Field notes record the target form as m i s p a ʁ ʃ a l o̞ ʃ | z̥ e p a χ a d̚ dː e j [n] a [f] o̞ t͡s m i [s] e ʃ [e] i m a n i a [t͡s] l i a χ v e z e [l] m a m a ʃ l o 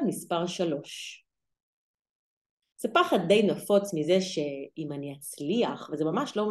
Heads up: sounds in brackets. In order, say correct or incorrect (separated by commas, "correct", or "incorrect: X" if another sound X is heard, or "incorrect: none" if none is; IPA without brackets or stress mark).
correct, correct, incorrect: z, correct, correct, incorrect: none